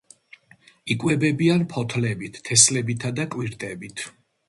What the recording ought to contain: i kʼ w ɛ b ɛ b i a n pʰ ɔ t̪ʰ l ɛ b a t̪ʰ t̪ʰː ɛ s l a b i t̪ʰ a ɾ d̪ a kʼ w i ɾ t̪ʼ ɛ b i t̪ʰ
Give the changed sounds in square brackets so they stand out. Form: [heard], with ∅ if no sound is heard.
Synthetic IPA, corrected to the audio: i kʼ w ɛ b ɛ b i a n pʰ ɔ t̪ʰ l ɛ b [i] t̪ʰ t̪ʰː ɛ s l [ɛ] b i t̪ʰ a [∅] d̪ a kʼ w i ɾ t̪ʼ ɛ b i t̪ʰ